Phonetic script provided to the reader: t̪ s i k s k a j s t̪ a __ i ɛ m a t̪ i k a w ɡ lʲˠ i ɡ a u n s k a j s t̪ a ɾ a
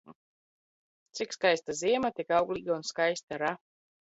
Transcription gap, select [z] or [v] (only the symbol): z